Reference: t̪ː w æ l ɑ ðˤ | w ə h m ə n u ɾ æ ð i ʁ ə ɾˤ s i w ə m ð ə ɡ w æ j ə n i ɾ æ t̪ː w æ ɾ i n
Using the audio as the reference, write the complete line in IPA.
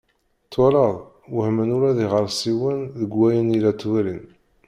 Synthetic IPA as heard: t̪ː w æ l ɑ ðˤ | w ə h m ə n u ɾ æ ð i ʁ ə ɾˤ s i w ə n ð ə ɡ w æ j ə n i l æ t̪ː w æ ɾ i n